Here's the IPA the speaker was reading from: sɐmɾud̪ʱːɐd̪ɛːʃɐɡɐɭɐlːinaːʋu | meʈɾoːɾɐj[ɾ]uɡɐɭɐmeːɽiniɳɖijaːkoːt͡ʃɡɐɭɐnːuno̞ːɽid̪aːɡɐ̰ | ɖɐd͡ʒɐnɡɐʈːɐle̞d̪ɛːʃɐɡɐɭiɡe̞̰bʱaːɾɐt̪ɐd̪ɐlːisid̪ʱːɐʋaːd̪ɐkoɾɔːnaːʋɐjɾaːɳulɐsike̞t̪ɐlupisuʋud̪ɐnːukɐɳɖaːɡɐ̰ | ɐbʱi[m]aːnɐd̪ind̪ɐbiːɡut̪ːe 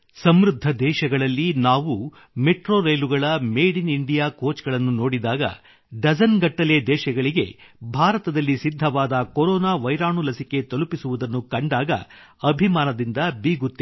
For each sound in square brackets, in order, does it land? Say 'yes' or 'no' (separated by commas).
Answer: no, yes